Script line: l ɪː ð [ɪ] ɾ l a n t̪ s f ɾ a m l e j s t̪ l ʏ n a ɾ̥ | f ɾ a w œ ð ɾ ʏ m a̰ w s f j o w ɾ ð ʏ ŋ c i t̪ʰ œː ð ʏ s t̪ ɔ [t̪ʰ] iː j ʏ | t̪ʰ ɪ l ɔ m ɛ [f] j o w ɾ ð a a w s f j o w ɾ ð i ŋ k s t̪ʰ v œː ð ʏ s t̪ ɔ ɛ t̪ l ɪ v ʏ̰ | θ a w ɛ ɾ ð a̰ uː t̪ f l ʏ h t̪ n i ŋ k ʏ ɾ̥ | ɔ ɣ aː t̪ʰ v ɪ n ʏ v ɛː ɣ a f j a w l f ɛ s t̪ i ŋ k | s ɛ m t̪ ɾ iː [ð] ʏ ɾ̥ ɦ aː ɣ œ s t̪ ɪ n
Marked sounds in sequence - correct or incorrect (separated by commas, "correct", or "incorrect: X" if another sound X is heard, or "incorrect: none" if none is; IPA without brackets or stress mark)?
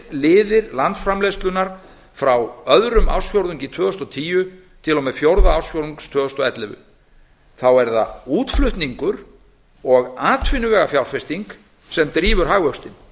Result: correct, correct, correct, incorrect: v